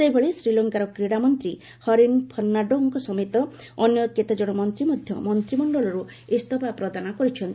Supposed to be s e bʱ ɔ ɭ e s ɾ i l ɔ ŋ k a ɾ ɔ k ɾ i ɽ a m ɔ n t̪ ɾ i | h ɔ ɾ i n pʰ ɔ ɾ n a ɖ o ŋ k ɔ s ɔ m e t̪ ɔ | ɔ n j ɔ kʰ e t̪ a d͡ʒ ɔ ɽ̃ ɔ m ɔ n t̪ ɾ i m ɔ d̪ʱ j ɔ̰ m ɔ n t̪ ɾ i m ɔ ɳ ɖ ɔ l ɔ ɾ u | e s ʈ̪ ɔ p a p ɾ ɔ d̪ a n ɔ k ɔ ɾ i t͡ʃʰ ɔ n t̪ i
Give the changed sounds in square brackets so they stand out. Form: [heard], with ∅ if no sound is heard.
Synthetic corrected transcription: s e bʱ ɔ ɭ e s ɾ i l ɔ ŋ k a ɾ ɔ k ɾ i ɽ a m ɔ n t̪ ɾ i | h ɔ ɾ i n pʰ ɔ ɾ n a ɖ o ŋ k ɔ s ɔ m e t̪ ɔ | ɔ n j ɔ [k] e t̪ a d͡ʒ ɔ ɽ̃ ɔ m ɔ n t̪ ɾ i m ɔ d̪ʱ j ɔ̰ m ɔ n t̪ ɾ i m ɔ ɳ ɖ ɔ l ɔ ɾ u | e s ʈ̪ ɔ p a p ɾ ɔ d̪ a n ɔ k ɔ ɾ i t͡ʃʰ ɔ n t̪ i

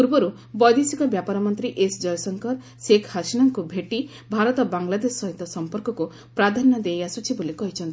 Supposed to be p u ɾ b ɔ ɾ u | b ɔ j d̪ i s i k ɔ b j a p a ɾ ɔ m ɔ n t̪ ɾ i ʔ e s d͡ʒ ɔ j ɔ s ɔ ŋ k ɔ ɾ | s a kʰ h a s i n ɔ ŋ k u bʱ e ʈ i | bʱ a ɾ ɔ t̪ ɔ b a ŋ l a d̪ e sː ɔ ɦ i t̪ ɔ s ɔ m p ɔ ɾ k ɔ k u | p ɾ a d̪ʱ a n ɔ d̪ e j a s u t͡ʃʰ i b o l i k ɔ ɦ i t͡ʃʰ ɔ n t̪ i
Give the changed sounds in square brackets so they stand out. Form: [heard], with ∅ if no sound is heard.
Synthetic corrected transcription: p u ɾ b ɔ ɾ u | b ɔ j d̪ i s i k ɔ b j a p a ɾ ɔ m ɔ n t̪ ɾ i ʔ e s d͡ʒ ɔ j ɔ s ɔ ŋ k ɔ ɾ | s [e] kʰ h a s i n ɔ ŋ k u bʱ e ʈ i | bʱ a ɾ ɔ t̪ ɔ b a ŋ l a d̪ e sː ɔ ɦ i t̪ ɔ s ɔ m p ɔ ɾ k ɔ k u | p ɾ a d̪ʱ a n ɔ d̪ e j a s u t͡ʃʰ i b o l i k ɔ ɦ i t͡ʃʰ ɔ n t̪ i

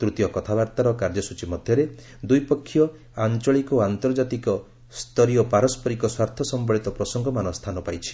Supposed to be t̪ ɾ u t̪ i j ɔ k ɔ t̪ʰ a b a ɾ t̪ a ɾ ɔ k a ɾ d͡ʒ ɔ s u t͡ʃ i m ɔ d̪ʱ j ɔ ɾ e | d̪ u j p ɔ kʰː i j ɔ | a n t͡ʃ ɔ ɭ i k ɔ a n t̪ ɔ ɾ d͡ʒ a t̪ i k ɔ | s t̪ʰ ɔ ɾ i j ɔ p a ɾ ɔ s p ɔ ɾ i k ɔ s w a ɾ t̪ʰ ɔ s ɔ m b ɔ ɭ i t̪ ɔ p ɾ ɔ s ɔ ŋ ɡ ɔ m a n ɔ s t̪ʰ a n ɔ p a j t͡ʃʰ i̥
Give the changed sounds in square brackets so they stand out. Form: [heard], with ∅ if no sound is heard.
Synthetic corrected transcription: t̪ ɾ u t̪ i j ɔ k ɔ t̪ʰ a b a ɾ t̪ a ɾ ɔ k a ɾ d͡ʒ ɔ s u t͡ʃ i m ɔ d̪ʱ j ɔ ɾ e | d̪ u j p ɔ kʰː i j ɔ | a n t͡ʃ ɔ ɭ i k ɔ a n t̪ ɔ ɾ d͡ʒ a t̪ i k ɔ | s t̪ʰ ɔ ɾ i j ɔ p a ɾ ɔ s p ɔ ɾ i k ɔ s w a ɾ t̪ʰ ɔ s ɔ m b ɔ ɭ i t̪ ɔ p ɾ ɔ s ɔ ŋ ɡ ɔ m a n ɔ s t̪ʰ a n ɔ p a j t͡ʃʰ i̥

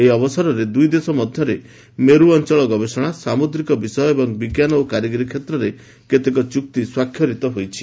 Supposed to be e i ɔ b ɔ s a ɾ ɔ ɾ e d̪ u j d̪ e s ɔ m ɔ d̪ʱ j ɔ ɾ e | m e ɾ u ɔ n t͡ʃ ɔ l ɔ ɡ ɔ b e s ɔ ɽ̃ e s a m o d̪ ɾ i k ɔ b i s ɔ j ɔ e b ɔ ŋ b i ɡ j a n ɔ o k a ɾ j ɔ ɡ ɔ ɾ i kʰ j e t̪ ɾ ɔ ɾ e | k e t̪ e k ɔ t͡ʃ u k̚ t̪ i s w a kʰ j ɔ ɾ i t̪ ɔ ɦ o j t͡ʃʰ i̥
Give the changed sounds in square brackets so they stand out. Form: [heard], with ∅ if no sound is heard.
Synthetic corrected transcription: e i ɔ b ɔ s a ɾ ɔ ɾ e d̪ u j d̪ e s ɔ m ɔ d̪ʱ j ɔ ɾ e | m e ɾ u ɔ n t͡ʃ ɔ [ɭ] ɔ ɡ ɔ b e s ɔ ɽ̃ [a] s a m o d̪ ɾ i k ɔ b i s ɔ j ɔ e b ɔ ŋ b i ɡ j a n ɔ o k a ɾ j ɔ ɡ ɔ ɾ i kʰ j e t̪ ɾ ɔ ɾ e | k e t̪ e k ɔ t͡ʃ u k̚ t̪ i s w a kʰ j ɔ ɾ i t̪ ɔ ɦ o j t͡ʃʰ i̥

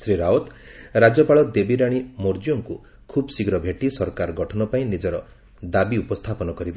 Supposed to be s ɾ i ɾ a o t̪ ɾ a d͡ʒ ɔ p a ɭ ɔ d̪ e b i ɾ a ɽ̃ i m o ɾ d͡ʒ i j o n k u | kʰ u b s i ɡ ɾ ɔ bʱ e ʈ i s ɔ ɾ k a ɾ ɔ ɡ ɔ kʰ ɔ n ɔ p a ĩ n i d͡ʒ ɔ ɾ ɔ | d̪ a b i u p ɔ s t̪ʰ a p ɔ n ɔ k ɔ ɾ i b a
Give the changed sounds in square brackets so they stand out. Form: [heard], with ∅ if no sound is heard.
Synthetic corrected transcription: s ɾ i ɾ a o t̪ ɾ a d͡ʒ ɔ p a ɭ ɔ d̪ e b i ɾ a ɽ̃ i m o ɾ d͡ʒ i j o [ŋ] k u | kʰ u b s i ɡ ɾ ɔ bʱ e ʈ i s ɔ ɾ k a ɾ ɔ ɡ ɔ [ʈʰ] ɔ n ɔ p a ĩ n i d͡ʒ ɔ ɾ ɔ | d̪ a b i u p ɔ s t̪ʰ a p ɔ n ɔ k ɔ ɾ i b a

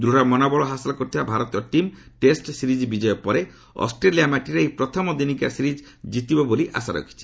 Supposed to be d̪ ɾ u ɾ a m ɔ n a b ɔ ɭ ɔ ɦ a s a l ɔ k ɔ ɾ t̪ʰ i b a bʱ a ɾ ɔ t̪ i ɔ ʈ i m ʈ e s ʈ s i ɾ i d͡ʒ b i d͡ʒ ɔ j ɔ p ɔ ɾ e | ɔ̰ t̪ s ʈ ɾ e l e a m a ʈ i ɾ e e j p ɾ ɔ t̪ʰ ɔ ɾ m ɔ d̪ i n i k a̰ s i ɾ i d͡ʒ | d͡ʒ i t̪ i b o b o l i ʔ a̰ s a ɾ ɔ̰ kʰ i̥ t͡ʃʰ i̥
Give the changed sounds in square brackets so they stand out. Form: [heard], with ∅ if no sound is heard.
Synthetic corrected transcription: d̪ ɾ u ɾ a m ɔ n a b ɔ ɭ ɔ ɦ a s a l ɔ k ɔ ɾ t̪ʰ i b a bʱ a ɾ ɔ t̪ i ɔ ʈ i m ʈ e s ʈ s i ɾ i d͡ʒ b i d͡ʒ ɔ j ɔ p ɔ ɾ e | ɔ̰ [∅] s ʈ ɾ e l [i] a m a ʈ i ɾ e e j p ɾ ɔ t̪ʰ ɔ [∅] m ɔ d̪ i n i k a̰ s i ɾ i d͡ʒ | d͡ʒ i t̪ i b [ɔ] b o l i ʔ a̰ s a ɾ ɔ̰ kʰ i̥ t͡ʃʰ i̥

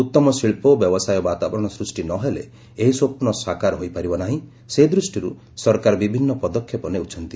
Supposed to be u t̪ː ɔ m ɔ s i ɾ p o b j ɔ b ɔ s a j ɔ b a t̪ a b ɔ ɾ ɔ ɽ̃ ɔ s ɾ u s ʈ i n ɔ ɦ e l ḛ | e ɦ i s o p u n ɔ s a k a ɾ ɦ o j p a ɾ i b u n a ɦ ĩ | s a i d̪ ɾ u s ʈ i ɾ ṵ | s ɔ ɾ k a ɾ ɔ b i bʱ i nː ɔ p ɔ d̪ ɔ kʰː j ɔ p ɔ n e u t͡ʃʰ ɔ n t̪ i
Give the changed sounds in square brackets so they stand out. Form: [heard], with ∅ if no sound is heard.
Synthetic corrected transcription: u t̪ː ɔ m ɔ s i [ɭ] p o b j ɔ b ɔ s a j ɔ b a t̪ a b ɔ ɾ ɔ ɽ̃ ɔ s ɾ u s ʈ i n ɔ ɦ e l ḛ | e ɦ i s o p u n ɔ s a k a ɾ ɦ o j p a ɾ i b [ɔ] n a ɦ ĩ | s [e] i d̪ ɾ u s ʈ i ɾ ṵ | s ɔ ɾ k a ɾ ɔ b i bʱ i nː ɔ p ɔ d̪ ɔ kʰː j ɔ p ɔ n e u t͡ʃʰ ɔ n t̪ i

